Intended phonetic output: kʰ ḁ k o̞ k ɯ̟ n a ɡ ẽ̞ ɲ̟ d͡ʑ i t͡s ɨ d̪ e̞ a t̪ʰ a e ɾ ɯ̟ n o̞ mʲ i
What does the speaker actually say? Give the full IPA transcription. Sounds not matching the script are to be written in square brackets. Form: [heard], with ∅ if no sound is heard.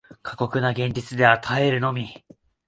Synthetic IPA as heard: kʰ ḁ k o̞ k ɯ̟ n a ɡ ẽ̞ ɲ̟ d͡ʑ i t͡s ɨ d̪ e̞ a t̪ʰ a e ɾ ɯ̟ n o̞ mʲ i